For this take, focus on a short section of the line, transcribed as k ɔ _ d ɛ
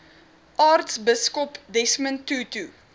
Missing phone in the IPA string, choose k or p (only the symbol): p